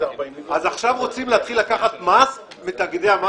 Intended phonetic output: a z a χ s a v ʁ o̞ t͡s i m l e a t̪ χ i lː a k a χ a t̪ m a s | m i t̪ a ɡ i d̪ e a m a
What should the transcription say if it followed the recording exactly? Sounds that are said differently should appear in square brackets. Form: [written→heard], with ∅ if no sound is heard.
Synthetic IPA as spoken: a z a χ [s→ʃ] a v ʁ o̞ t͡s i m l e a t̪ χ i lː a k a χ a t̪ m a s | m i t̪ a ɡ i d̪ e a m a